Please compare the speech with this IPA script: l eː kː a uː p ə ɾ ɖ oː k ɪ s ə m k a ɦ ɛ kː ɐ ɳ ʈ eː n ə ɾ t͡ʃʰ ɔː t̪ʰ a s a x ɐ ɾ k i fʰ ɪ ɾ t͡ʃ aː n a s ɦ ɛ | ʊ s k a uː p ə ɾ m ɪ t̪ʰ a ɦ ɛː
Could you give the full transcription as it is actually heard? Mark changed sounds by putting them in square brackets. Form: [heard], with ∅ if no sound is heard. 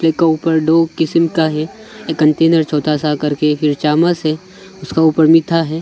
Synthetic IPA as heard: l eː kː a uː p ə ɾ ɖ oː k ɪ s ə m k a ɦ ɛ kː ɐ ɳ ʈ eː n ə ɾ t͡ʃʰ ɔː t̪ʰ a s a [k] ɐ ɾ k [e] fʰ ɪ ɾ t͡ʃ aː [m] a s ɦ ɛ | ʊ s k a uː p ə ɾ m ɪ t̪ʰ a ɦ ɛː